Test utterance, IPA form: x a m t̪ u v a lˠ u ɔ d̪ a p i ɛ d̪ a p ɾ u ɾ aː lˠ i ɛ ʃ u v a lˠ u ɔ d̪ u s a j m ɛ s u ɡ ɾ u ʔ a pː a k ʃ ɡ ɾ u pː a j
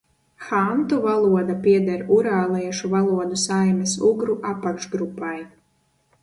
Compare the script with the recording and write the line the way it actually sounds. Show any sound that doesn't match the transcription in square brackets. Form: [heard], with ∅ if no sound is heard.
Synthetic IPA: x a [n] t̪ u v a lˠ u ɔ d̪ a p i ɛ d̪ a [∅] ɾ u ɾ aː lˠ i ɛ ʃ u v a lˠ u ɔ d̪ u s a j m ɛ s u ɡ ɾ u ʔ a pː a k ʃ ɡ ɾ u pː a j